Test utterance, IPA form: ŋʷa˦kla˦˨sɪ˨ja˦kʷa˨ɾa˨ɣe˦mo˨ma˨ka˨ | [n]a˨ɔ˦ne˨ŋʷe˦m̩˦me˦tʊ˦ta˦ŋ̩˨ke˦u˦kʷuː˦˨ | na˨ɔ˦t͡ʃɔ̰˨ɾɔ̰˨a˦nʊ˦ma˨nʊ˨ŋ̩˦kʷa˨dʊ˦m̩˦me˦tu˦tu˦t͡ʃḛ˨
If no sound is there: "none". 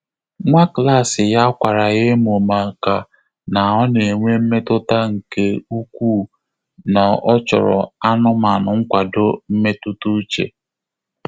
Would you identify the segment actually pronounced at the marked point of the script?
n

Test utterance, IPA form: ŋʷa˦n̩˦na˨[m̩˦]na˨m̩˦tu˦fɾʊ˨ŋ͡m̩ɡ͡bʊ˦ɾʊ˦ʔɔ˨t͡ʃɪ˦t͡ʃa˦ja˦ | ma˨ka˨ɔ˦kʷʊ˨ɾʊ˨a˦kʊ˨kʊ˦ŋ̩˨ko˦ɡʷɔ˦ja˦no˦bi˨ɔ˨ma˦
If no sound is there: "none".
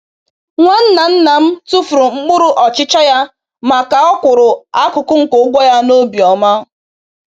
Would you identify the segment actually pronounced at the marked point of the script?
n̩˦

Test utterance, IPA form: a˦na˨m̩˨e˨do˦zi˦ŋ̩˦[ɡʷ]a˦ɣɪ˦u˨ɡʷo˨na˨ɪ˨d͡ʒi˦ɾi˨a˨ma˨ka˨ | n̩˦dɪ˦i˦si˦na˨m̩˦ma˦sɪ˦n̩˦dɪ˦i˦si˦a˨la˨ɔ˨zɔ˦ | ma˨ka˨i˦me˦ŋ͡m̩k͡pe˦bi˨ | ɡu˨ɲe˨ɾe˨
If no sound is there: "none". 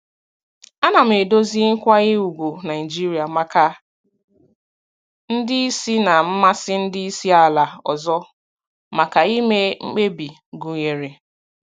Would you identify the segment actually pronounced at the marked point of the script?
kʷ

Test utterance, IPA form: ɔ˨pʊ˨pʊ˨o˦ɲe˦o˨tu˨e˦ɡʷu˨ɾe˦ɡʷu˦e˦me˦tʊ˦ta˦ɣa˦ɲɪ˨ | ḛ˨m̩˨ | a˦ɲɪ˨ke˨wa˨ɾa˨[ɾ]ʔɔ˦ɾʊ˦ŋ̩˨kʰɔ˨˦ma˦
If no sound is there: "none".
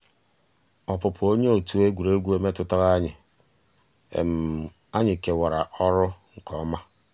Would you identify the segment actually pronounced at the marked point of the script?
none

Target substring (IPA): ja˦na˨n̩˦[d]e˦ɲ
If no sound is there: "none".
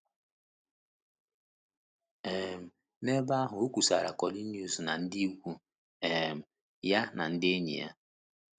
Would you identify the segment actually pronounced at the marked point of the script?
d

